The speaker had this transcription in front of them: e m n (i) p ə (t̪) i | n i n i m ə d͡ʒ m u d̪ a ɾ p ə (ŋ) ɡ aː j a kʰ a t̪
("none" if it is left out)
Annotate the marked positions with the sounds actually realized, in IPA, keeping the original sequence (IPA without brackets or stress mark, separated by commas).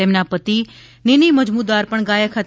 a, t̪, ɳ